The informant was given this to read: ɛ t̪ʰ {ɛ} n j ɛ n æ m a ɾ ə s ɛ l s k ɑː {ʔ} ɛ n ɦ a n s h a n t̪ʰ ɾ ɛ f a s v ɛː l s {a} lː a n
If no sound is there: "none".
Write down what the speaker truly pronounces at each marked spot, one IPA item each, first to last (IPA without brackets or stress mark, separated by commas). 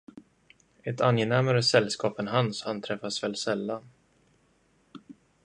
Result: a, p, ɛ